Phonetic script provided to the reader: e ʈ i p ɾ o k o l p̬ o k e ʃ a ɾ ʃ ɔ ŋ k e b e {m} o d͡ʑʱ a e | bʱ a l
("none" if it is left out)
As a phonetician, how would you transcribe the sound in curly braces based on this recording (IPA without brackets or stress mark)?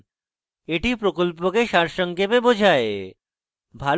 b